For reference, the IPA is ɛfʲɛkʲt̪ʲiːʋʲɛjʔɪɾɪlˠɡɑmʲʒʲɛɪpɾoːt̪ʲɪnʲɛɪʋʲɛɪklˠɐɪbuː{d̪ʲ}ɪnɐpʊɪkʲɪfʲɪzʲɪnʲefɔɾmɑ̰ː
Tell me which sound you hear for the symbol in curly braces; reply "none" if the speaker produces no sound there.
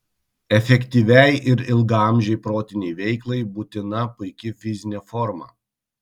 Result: t̪ʲ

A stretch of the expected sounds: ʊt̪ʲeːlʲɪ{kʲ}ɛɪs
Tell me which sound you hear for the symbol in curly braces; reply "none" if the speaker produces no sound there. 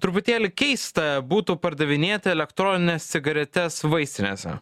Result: kʲ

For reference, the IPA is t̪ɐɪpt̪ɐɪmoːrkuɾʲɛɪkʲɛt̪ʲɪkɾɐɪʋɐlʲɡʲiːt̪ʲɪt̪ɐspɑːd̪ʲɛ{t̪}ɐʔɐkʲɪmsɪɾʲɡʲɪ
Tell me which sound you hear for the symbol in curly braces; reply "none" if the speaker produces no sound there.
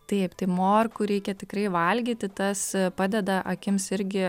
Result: d̪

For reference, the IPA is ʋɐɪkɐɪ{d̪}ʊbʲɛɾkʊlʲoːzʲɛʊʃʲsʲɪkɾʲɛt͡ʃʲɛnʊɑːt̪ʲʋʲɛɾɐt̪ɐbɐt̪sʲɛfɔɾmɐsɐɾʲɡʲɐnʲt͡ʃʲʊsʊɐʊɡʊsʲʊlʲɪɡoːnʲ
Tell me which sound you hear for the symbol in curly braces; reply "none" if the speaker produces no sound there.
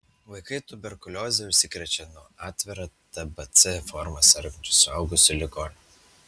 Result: t̪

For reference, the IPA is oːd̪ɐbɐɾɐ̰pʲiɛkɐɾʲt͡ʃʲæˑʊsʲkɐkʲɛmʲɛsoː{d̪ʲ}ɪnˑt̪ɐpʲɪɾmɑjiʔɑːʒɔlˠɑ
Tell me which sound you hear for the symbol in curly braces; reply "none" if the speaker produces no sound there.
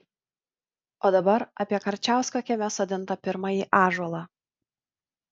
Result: d̪ʲ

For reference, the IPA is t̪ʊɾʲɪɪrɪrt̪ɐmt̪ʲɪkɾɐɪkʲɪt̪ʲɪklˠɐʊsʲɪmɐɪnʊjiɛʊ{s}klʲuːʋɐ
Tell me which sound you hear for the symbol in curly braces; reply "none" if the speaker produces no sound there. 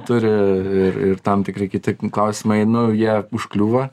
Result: ʃ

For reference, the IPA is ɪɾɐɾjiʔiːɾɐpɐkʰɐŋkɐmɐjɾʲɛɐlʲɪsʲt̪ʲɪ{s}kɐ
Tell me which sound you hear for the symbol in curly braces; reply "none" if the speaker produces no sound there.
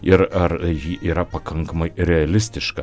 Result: ʃ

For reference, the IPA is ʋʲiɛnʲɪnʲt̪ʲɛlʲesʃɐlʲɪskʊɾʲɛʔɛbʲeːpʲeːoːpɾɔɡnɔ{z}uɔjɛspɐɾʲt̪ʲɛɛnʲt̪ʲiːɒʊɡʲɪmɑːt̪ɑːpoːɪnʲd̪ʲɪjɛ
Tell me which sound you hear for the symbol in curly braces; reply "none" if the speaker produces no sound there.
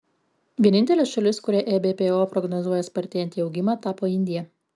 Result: z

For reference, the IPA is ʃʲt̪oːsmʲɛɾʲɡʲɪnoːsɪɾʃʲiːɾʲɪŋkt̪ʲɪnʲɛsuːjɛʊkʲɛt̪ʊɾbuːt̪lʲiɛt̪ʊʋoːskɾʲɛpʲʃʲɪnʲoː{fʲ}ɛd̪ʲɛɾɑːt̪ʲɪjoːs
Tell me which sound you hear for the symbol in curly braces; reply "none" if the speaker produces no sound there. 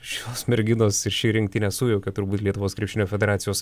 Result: fʲ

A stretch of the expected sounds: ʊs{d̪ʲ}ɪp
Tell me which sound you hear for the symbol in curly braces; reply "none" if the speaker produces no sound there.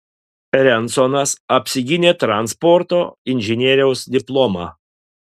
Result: d̪ʲ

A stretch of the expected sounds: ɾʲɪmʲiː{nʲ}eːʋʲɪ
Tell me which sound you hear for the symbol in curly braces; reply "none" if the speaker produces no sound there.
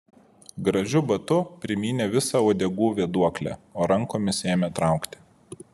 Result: nʲ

